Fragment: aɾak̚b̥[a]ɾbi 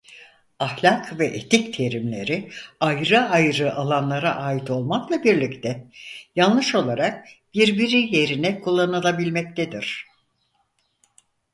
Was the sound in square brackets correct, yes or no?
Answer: no